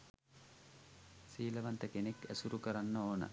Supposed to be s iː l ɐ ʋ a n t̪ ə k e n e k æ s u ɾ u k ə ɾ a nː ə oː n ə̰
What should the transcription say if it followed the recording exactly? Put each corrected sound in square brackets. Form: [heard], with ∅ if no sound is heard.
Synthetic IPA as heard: s iː l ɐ ʋ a n t̪ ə k e n e k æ s u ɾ u k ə ɾ a nː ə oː n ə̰